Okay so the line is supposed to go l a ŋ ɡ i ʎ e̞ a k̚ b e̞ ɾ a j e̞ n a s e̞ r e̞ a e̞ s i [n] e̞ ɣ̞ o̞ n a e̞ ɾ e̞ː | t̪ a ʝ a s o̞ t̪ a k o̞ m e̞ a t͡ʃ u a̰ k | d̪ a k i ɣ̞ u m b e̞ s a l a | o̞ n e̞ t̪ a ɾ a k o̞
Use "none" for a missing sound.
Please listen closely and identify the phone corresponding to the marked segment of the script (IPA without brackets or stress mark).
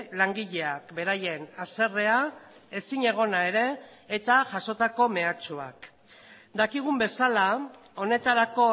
ɲ